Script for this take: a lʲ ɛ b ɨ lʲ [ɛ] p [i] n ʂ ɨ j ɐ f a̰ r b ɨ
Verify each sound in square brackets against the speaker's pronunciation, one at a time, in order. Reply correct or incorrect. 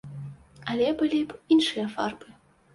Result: incorrect, correct

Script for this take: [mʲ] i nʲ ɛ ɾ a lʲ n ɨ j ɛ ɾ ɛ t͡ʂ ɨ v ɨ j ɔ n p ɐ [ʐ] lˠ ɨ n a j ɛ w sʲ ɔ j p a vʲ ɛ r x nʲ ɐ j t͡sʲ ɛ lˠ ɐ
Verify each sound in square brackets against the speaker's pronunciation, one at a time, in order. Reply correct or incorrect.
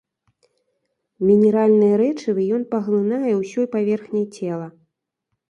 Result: correct, incorrect

